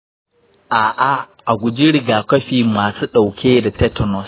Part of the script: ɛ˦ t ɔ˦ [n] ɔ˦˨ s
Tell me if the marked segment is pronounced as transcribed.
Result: yes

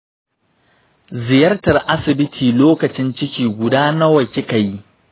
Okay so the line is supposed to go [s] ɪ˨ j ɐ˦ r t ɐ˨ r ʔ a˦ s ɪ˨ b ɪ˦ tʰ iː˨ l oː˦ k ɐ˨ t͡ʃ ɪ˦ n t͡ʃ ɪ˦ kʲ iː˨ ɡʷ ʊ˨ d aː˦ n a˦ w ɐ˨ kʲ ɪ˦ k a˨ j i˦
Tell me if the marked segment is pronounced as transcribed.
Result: no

